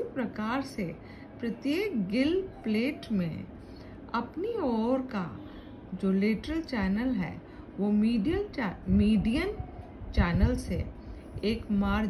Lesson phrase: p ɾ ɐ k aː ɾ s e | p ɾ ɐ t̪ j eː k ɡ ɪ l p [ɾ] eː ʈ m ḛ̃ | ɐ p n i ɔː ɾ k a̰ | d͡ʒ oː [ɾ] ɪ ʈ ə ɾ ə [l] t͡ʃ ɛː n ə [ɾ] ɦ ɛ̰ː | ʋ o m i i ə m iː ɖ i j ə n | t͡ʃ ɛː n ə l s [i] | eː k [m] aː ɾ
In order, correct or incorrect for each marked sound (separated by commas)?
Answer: incorrect, incorrect, correct, incorrect, incorrect, correct